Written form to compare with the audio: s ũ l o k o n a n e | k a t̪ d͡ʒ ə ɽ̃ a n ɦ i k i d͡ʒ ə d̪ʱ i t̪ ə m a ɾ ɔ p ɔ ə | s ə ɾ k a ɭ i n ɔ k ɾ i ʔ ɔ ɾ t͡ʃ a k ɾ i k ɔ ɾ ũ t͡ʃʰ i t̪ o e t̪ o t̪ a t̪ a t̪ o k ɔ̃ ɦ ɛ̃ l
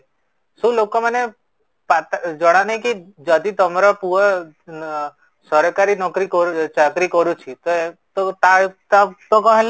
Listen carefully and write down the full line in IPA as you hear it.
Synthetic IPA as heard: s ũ l o k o m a n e | p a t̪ d͡ʒ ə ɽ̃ a n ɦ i k i d͡ʒ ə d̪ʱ i t̪ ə m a ɾ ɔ p u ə | s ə ɾ k a ɾ i n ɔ k ɾ i k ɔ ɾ t͡ʃ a k ɾ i k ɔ ɾ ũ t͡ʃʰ i t̪ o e t̪ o t̪ a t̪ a t̪ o k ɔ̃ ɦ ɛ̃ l

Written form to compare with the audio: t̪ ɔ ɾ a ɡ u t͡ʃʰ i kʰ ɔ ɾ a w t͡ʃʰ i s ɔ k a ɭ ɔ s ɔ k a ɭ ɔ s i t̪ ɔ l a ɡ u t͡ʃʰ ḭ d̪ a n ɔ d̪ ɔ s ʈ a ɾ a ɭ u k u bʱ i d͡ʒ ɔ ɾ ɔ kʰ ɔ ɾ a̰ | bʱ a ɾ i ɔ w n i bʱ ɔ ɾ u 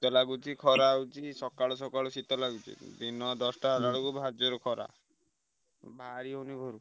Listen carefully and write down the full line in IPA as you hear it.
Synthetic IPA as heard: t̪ ɔ l a ɡ u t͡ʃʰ i kʰ ɔ ɾ a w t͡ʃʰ i s ɔ k a ɭ ɔ s ɔ k a ɭ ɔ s i t̪ ɔ l a ɡ u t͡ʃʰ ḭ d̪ i n ɔ d̪ ɔ s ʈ a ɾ a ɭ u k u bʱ a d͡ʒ ɔ ɾ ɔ kʰ ɔ ɾ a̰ | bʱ a ɾ i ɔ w n i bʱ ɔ ɾ u

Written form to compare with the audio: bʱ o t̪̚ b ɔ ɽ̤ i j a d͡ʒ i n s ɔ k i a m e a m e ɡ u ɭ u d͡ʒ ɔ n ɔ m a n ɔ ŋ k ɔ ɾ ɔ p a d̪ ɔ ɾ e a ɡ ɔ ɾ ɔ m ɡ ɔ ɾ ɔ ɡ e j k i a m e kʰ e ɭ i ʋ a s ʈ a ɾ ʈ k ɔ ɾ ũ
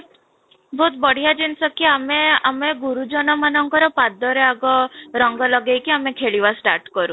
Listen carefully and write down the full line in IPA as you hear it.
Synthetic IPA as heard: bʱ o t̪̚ b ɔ ɽ̤ i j a d͡ʒ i n s ɔ k i a m e a m e ɡ u ɾ u d͡ʒ ɔ n ɔ m a n ɔ ŋ k ɔ ɾ ɔ p a d̪ ɔ ɾ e a ɡ ɔ ɾ ɔ ŋ ɡ ɔ l ɔ ɡ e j k i a m e kʰ e ɭ i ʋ a s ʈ a ɾ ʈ k ɔ ɾ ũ

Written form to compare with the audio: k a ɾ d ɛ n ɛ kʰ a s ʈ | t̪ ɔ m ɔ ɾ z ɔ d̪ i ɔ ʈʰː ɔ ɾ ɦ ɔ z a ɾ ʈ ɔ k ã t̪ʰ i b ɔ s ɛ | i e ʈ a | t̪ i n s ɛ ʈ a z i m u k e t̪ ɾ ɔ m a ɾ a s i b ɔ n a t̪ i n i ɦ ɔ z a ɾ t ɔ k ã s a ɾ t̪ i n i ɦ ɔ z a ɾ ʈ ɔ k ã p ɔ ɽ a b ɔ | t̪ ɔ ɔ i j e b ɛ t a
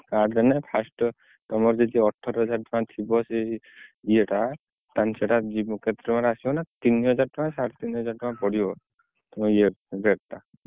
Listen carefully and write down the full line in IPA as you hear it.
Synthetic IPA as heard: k a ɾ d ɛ n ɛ pʰ a s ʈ | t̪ ɔ m ɔ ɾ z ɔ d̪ i ɔ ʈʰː ɔ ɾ ɦ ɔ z a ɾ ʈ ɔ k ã t̪ʰ i b ɔ s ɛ | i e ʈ a | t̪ a n s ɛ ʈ a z i m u k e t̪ ɾ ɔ m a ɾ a s i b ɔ n a t̪ i n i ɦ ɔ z a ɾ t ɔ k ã s a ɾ t̪ i n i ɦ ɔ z a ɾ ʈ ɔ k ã p ɔ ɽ i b ɔ | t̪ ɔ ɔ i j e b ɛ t a

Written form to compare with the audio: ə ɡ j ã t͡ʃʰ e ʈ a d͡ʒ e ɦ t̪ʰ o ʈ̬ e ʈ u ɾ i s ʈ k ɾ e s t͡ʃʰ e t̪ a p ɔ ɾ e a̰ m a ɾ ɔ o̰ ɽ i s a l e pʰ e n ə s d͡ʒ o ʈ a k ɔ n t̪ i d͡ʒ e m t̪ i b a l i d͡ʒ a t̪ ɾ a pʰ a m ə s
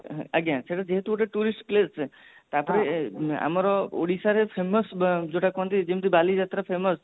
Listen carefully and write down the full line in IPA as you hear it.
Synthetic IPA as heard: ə ɡ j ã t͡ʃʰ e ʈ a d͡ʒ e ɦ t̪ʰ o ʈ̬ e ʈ u ɾ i s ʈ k l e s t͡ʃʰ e t̪ a p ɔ ɾ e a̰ m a ɾ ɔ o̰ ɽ i s a ɾ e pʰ e m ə s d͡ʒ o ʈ a k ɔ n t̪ i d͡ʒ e m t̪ i b a l i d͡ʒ a t̪ ɾ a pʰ e m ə s

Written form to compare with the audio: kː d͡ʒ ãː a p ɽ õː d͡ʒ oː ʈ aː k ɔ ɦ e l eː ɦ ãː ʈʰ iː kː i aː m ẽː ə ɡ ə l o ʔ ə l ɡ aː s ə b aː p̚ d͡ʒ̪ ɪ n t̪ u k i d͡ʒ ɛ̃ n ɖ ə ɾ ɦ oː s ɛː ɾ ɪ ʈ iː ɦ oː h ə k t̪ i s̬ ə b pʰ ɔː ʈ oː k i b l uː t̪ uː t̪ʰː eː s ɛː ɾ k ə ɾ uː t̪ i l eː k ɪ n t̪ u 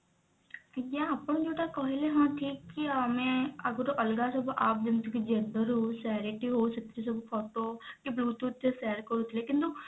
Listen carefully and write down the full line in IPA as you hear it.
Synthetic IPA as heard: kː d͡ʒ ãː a p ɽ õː d͡ʒ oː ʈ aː k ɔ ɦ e l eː ɦ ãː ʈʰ iː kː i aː m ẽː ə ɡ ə ɾ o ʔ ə l ɡ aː s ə b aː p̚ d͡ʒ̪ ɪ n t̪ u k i d͡ʒ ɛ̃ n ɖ ə ɾ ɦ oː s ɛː ɾ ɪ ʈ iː ɦ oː s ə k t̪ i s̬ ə b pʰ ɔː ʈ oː k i b l uː t̪ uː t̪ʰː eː s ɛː ɾ k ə ɾ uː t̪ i l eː k ɪ n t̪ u

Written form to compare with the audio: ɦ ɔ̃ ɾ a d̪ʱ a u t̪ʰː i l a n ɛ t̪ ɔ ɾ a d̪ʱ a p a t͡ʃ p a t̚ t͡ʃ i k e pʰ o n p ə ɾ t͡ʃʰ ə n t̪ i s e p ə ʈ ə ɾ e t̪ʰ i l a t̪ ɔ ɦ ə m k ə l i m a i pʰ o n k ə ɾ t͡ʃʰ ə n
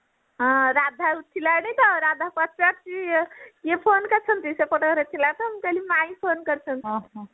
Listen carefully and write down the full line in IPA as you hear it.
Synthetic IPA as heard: ɦ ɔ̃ ɾ a d̪ʱ a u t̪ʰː i l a n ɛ t̪ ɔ ɾ a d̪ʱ a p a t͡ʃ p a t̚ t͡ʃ i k e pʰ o n k ə ɾ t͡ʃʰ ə n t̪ i s e p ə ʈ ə ɾ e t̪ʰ i l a t̪ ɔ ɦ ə m k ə l i m a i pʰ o n k ə ɾ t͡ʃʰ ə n

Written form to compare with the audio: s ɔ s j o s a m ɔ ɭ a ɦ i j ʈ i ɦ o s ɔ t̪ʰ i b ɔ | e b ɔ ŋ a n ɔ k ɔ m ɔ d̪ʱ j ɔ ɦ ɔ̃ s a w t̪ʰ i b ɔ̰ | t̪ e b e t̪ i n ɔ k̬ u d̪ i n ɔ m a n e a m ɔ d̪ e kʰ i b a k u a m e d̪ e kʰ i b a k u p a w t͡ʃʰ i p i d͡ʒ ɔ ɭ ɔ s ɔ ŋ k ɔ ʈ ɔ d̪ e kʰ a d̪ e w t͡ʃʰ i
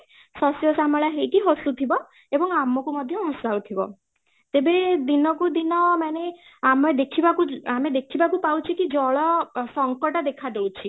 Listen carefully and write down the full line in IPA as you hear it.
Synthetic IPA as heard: s ɔ s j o s a m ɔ ɭ a ɦ e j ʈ i ɦ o s u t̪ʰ i b ɔ | e b ɔ ŋ a m ɔ k u m ɔ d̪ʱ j ɔ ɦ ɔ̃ s a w t̪ʰ i b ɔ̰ | t̪ e b e d̪ i n ɔ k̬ u d̪ i n ɔ m a n e a m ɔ d̪ e kʰ i b a k u a m e d̪ e kʰ i b a k u p a w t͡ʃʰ i k i d͡ʒ ɔ ɭ ɔ s ɔ ŋ k ɔ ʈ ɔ d̪ e kʰ a d̪ e w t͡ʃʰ i

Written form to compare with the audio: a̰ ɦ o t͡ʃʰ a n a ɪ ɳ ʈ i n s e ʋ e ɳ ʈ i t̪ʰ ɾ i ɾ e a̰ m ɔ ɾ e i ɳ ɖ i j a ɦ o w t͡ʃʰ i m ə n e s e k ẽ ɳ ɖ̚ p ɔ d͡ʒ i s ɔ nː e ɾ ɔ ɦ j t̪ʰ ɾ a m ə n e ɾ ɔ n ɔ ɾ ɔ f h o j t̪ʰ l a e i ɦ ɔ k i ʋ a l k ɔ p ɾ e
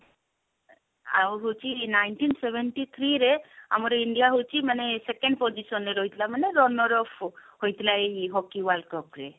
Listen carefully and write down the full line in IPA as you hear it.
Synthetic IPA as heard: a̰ ɦ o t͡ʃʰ i n a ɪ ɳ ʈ i n s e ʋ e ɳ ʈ i t̪ʰ ɾ i ɾ e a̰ m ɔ ɾ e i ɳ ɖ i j a ɦ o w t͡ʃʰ i m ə n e s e k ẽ ɳ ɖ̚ p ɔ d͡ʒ i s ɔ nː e ɾ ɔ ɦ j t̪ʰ l a m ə n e ɾ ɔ n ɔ ɾ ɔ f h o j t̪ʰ l a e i ɦ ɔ k i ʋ a l k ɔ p ɾ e

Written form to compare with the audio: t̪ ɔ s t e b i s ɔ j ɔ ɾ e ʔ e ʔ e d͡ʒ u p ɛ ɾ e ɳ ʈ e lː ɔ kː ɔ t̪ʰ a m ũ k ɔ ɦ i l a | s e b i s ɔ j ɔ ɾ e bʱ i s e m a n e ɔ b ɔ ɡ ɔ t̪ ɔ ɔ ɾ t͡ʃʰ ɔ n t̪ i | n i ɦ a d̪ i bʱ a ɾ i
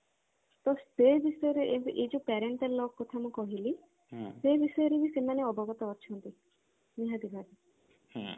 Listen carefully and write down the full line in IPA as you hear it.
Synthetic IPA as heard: t̪ ɔ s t e b i s ɔ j ɔ ɾ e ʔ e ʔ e d͡ʒ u p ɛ ɾ e ɳ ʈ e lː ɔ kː ɔ t̪ʰ a m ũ k ɔ ɦ i l i | s e b i s ɔ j ɔ ɾ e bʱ i s e m a n e ɔ b ɔ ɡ ɔ t̪ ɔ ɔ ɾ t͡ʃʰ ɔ n t̪ i | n i ɦ a d̪ i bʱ a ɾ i

